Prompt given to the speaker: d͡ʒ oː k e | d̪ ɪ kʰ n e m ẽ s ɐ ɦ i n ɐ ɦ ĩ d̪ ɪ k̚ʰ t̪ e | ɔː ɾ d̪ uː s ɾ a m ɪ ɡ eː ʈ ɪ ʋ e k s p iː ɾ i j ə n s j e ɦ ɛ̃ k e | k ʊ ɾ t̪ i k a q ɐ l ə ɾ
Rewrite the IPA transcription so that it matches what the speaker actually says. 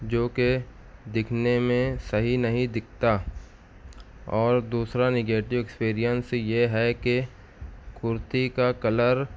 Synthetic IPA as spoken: d͡ʒ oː k e | d̪ ɪ kʰ n e m ẽ s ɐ ɦ i n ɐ ɦ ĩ d̪ ɪ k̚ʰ t̪ a | ɔː ɾ d̪ uː s ɾ a n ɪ ɡ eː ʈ ɪ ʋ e k s p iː ɾ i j ə n s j e ɦ ɛ k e | k ʊ ɾ t̪ i k a k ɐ l ə ɾ